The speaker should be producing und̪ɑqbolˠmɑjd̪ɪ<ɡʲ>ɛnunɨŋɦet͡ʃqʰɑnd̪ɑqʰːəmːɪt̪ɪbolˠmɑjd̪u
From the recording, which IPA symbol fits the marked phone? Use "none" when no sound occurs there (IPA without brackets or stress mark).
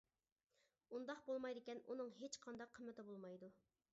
kʲ